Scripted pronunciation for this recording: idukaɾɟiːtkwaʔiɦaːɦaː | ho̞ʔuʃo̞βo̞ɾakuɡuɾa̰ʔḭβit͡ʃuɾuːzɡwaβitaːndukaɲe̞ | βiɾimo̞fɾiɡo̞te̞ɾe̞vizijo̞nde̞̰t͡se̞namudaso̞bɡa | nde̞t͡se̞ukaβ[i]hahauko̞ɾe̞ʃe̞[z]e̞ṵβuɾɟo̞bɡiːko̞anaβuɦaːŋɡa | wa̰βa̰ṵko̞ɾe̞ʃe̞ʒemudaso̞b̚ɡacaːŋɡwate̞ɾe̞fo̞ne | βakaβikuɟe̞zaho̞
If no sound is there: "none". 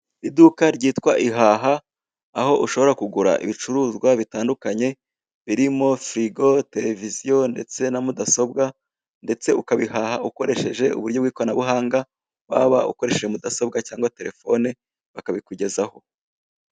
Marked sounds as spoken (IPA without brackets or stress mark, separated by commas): i, ʒ